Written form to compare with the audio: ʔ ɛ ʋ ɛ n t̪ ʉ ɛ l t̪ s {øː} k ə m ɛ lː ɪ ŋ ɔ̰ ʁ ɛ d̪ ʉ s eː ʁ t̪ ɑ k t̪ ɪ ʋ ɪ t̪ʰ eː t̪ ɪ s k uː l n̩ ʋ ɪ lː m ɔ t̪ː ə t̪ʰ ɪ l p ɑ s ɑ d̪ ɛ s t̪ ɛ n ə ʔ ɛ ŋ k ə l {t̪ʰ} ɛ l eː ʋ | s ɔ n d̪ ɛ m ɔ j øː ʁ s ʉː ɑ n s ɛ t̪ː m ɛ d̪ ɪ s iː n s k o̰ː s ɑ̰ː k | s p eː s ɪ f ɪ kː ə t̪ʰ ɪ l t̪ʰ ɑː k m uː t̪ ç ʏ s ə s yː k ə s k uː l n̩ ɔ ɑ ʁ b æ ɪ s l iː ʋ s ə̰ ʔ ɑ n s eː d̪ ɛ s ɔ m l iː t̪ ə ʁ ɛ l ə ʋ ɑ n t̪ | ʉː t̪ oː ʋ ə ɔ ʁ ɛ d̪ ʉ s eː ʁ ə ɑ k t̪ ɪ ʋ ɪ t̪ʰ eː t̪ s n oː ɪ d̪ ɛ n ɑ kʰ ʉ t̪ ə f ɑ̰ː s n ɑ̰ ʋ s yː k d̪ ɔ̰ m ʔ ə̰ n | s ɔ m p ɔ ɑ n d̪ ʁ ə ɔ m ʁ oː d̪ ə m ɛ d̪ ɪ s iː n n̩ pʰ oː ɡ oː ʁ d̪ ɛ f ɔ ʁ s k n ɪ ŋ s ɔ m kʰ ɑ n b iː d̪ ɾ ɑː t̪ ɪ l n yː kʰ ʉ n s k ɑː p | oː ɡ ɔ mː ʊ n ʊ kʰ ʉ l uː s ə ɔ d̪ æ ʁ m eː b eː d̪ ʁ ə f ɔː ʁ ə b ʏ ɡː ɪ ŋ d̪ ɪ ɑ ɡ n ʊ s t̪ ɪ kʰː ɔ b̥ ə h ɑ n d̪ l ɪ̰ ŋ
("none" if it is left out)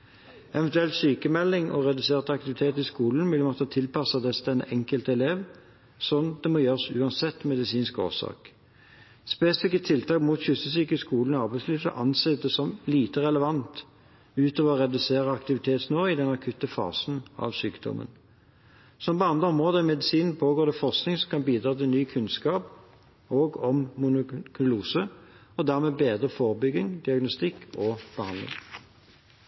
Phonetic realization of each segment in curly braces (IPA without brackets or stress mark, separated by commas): yː, t̪